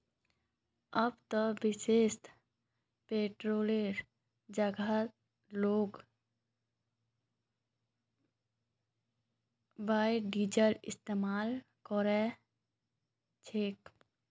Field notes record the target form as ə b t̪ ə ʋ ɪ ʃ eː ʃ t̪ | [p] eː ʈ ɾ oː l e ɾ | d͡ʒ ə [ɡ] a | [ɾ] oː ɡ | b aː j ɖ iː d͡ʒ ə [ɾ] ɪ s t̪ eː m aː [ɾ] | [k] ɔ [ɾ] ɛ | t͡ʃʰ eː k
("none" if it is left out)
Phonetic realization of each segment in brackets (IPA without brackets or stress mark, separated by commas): p, ɡ, l, l, l, k, ɾ